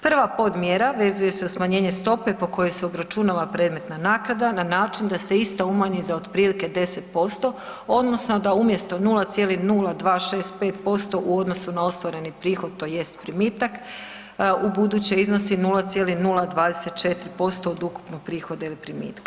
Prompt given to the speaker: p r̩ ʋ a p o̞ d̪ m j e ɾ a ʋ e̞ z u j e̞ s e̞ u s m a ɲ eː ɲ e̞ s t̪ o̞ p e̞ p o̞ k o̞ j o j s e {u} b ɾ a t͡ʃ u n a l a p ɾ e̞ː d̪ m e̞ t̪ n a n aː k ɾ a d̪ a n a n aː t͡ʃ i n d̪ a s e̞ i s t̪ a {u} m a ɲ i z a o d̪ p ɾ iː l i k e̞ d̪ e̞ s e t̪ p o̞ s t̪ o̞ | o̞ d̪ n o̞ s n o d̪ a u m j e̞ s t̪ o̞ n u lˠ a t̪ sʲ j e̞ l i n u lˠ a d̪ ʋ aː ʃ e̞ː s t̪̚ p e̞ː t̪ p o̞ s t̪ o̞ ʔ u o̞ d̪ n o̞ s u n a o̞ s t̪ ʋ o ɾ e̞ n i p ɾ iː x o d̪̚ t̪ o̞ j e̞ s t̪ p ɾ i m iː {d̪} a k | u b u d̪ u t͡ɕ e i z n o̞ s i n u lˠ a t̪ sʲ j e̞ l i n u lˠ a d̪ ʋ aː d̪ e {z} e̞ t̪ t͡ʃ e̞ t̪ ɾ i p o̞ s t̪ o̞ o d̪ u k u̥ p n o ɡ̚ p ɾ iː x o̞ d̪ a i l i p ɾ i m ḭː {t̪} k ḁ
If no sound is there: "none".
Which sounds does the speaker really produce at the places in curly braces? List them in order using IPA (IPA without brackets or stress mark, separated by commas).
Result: o, u, t̪, s, t̪